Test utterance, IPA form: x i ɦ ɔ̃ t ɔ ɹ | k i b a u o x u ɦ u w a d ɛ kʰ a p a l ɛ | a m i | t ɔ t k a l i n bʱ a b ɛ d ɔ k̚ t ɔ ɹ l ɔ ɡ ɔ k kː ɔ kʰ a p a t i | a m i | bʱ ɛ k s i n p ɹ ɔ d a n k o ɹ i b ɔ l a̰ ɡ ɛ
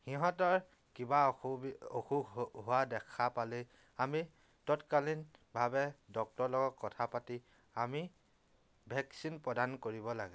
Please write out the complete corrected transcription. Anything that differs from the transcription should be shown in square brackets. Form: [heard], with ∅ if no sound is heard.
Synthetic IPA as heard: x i ɦ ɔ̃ t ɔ ɹ | k i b a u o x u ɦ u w a d ɛ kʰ a p a l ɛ | a m i | t ɔ t k a l i n bʱ a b ɛ d ɔ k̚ t ɔ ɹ l ɔ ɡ ɔ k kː ɔ [tʰ] a p a t i | a m i | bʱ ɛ k s i n p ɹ ɔ d a n k o ɹ i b ɔ l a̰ ɡ ɛ